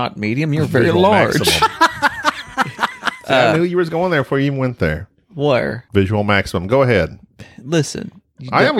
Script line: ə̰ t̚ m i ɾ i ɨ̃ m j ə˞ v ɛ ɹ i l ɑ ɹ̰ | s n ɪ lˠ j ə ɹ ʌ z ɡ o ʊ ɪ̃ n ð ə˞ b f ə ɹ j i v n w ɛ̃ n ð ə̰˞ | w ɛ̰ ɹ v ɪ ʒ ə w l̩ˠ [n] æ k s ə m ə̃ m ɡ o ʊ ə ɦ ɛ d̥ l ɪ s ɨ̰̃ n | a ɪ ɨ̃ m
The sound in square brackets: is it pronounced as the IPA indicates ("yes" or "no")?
no